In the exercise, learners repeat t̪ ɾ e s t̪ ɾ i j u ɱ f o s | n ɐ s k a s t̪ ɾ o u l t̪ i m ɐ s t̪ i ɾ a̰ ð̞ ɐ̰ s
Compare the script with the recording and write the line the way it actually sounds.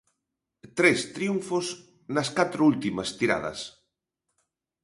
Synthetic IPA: t̪ ɾ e s t̪ ɾ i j u ɱ f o s | n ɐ s k a t̪ ɾ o u l t̪ i m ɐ s t̪ i ɾ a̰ ð̞ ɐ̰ s